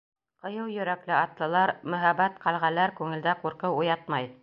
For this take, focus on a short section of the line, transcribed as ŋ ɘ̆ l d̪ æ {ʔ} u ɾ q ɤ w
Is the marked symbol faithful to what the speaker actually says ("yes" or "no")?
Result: no